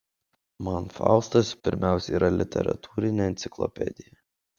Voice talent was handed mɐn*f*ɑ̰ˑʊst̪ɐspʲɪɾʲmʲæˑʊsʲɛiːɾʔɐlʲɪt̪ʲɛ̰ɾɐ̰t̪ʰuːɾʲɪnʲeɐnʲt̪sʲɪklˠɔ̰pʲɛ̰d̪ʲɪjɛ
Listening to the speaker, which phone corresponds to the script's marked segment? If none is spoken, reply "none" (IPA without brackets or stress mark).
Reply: f